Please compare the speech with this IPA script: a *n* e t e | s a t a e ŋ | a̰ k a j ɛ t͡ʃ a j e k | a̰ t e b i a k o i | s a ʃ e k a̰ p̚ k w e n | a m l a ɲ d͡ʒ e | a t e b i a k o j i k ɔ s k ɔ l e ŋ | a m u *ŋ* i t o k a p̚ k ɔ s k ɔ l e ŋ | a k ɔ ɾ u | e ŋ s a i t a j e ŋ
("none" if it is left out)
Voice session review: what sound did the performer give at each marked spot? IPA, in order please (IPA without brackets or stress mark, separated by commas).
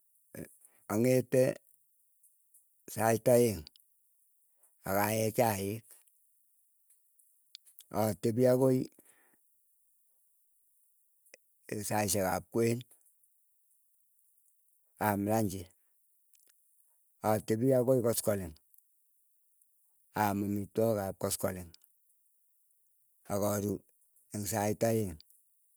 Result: ŋ, m